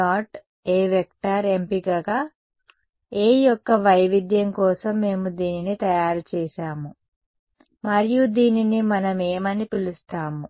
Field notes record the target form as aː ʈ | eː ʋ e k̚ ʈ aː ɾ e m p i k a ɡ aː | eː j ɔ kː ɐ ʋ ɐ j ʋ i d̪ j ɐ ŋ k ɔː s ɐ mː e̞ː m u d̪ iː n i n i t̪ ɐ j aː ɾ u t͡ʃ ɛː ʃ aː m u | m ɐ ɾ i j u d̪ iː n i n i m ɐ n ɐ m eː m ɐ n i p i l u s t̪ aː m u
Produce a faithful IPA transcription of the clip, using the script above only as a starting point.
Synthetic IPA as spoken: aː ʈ | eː ʋ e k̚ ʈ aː ɾ e m p i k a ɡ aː | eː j ɔ kː ɐ ʋ ɐ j ʋ i d̪ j ɐ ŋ k ɔː s ɐ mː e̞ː m u d̪ iː n i n i t̪ ɐ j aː ɾ u t͡ʃ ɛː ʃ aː m u | m ɐ ɾ i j u d̪ iː n i n i m ɐ n ɐ m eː m ɐ n i p i l u s t̪ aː m u